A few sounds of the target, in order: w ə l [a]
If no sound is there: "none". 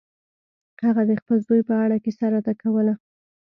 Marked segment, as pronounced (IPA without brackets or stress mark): a